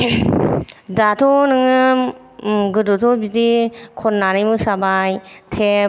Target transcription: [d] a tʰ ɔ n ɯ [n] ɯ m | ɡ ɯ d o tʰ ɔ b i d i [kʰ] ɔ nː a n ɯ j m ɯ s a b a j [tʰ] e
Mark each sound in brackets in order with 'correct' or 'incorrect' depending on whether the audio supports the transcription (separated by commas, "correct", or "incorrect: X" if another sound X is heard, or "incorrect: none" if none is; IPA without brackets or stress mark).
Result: correct, incorrect: ŋ, correct, correct